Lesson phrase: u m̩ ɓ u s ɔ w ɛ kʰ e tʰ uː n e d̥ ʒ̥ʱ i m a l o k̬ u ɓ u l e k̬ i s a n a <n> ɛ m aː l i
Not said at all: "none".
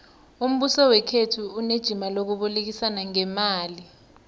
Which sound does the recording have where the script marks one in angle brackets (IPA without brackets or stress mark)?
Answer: ŋ